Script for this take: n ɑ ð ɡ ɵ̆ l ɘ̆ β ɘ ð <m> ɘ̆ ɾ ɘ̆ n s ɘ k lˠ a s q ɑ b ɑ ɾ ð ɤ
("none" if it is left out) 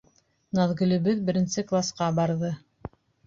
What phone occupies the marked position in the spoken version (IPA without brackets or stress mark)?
b